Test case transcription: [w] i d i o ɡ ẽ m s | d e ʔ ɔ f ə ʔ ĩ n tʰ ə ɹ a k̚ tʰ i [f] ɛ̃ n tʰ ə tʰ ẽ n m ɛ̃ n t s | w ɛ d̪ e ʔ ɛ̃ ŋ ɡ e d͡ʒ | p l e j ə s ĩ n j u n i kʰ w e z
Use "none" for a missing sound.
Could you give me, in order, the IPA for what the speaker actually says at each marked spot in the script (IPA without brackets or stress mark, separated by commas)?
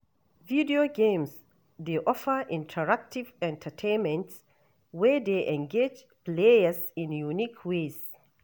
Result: v, v